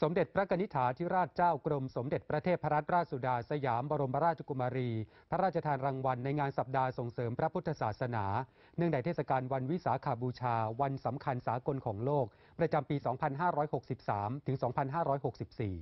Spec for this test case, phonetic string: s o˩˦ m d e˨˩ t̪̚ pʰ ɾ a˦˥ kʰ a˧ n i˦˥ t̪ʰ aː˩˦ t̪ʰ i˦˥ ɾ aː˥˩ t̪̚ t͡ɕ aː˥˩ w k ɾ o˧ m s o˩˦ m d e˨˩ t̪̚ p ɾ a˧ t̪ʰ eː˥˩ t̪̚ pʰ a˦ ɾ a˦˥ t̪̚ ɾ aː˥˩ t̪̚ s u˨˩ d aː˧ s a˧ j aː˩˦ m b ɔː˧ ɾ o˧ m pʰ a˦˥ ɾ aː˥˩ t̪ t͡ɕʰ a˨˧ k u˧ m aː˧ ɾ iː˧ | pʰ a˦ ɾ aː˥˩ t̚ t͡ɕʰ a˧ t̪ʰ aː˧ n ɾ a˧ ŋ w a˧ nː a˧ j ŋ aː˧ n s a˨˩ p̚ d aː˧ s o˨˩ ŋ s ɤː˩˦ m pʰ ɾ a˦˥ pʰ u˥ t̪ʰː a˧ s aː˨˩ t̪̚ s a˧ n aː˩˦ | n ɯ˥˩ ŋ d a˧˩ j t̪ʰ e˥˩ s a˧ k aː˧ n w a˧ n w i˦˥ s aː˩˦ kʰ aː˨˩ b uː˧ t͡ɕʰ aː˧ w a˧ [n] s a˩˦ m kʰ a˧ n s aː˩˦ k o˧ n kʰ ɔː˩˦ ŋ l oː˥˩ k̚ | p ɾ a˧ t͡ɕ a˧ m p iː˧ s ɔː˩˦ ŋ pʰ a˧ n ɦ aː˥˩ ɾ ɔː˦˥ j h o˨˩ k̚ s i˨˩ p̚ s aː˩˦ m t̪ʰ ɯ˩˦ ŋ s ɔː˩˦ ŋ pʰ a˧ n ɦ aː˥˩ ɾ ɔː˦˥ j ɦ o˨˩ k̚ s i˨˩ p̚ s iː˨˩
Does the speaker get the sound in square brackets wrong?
no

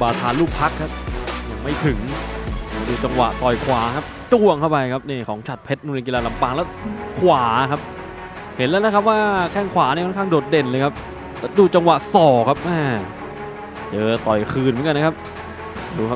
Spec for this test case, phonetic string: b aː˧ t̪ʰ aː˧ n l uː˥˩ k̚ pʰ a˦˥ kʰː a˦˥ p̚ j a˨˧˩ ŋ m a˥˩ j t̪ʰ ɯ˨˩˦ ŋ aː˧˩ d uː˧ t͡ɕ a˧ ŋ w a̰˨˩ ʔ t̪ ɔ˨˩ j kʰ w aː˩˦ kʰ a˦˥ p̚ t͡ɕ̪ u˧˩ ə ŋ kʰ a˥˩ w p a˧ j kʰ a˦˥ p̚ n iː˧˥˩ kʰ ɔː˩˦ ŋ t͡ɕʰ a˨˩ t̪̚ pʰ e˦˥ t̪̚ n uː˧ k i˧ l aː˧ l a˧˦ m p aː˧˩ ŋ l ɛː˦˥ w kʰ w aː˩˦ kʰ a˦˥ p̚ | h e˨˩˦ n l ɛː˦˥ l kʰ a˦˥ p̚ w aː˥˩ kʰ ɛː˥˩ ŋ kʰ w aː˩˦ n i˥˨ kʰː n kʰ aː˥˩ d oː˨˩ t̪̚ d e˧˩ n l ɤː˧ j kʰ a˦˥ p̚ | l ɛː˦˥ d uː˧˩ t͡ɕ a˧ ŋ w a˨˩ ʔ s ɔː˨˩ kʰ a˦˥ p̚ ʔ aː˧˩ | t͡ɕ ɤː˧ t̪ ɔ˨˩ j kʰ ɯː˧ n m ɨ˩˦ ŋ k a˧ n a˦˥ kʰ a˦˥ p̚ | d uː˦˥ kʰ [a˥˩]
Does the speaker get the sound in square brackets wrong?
yes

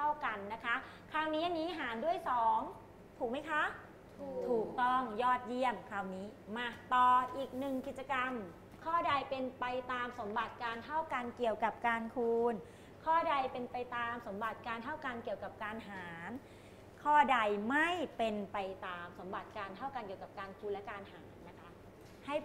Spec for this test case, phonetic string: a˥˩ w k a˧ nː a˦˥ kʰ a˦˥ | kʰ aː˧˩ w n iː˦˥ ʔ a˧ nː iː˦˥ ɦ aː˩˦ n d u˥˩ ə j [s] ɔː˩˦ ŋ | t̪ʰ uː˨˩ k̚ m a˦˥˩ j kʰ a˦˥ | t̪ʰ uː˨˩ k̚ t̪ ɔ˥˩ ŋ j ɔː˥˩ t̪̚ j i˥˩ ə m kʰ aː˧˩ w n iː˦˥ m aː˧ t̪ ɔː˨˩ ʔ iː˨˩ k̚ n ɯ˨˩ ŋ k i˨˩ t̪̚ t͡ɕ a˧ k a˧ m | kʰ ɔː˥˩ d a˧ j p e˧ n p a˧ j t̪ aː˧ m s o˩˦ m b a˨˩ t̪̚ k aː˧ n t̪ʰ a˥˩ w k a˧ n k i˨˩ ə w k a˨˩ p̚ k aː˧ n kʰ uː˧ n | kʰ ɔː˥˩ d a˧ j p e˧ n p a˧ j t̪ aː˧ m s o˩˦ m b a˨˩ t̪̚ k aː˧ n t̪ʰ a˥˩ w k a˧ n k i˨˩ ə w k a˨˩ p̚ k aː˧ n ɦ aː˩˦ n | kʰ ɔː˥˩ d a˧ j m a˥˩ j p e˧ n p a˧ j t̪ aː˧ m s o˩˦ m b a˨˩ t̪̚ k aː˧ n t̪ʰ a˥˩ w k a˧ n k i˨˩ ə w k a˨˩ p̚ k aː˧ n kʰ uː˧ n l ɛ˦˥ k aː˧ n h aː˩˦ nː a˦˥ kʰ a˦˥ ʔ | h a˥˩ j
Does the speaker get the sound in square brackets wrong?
no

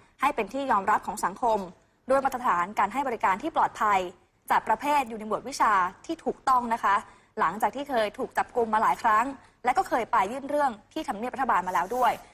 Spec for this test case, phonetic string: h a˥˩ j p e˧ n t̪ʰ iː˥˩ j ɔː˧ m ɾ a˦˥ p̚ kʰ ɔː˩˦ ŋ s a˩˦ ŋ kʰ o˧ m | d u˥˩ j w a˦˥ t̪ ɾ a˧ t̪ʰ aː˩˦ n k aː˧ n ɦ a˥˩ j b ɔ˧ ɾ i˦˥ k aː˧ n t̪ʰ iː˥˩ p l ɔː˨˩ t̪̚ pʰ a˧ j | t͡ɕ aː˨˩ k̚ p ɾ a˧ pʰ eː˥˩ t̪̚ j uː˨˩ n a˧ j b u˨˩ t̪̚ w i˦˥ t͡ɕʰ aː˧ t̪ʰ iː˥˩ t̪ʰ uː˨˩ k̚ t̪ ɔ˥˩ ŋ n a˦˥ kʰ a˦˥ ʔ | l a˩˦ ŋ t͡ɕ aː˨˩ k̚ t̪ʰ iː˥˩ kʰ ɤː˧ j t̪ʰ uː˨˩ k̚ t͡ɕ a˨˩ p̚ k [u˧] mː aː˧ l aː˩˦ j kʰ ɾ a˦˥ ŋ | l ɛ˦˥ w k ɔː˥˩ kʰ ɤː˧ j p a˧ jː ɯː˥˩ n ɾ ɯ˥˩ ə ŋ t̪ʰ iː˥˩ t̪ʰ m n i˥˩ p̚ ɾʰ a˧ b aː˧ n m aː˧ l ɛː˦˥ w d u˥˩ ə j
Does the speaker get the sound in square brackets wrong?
no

